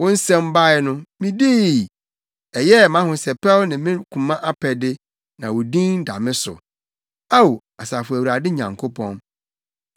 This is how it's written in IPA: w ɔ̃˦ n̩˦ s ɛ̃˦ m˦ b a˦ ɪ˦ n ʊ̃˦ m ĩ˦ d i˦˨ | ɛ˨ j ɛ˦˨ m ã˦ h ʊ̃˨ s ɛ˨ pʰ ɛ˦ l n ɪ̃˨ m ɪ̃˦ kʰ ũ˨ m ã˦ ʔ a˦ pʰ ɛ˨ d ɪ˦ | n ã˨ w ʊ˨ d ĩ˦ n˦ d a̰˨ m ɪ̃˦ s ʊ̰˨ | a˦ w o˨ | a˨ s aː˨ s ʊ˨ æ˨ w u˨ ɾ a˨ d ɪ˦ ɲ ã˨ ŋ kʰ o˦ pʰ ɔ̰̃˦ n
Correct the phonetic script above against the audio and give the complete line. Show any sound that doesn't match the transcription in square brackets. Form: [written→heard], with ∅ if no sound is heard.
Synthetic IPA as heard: w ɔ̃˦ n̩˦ s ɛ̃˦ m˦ b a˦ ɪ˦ n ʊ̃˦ m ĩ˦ d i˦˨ | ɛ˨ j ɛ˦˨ m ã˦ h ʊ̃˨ s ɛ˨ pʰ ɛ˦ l n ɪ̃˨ m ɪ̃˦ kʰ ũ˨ m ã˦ ʔ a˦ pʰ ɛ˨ d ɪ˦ | n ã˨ w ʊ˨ d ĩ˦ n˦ d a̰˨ m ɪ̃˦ s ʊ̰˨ | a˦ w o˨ | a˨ s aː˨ [s→f] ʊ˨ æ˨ w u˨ ɾ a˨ d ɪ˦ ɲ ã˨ ŋ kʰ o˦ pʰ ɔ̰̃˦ n